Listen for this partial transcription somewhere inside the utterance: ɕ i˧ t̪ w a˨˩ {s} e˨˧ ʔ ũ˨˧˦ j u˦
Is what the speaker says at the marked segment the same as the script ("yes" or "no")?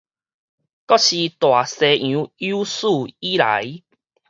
yes